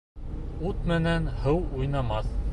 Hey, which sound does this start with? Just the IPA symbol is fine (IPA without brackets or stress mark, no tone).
u